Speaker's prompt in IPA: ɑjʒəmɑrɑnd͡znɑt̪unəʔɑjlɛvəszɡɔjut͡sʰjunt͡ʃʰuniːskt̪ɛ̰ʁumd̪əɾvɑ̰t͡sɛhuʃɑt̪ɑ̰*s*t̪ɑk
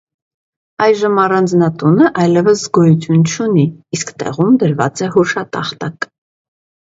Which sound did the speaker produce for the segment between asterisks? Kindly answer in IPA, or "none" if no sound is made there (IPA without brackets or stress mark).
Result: χ